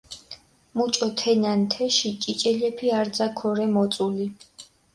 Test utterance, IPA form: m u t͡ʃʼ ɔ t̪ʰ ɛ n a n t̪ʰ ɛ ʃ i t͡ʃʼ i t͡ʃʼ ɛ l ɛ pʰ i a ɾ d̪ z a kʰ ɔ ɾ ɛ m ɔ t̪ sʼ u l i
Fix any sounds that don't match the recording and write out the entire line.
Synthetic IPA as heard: m u t͡ʃʼ ɔ t̪ʰ ɛ n a n t̪ʰ ɛ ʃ i t͡ʃʼ i t͡ʃʼ ɛ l ɛ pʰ i a ɾ d̪ z a kʰ ɔ ɾ ɛ m ɔ t̪ sʼ u l i